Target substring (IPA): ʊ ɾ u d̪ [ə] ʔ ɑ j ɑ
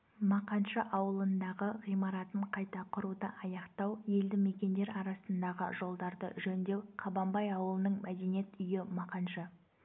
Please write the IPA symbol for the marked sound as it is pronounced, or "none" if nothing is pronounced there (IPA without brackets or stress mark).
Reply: ə